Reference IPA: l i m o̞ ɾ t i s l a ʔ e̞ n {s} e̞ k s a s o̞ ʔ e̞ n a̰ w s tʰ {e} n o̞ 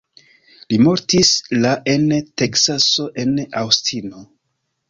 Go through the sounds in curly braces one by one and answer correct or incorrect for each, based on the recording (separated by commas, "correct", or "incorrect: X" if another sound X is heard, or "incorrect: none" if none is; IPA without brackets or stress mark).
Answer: incorrect: t, incorrect: i